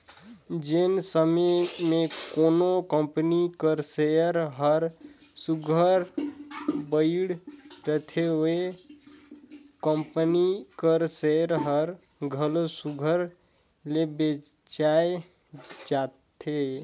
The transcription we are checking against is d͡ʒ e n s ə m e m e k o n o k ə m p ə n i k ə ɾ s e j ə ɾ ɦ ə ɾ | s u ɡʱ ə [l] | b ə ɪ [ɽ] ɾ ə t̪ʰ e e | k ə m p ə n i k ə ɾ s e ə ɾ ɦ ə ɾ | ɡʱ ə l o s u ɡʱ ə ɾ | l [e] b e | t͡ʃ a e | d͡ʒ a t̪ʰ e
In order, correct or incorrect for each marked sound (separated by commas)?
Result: incorrect, correct, correct